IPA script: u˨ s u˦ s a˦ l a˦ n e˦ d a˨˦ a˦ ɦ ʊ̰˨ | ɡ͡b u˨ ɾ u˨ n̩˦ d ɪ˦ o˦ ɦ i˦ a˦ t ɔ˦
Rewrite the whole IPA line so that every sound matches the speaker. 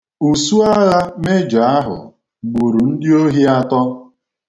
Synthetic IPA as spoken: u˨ s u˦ a˦ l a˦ m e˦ d͡ʒ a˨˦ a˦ ɦ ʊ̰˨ | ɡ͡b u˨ ɾ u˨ n̩˦ d ɪ˦ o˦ ɦ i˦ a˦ t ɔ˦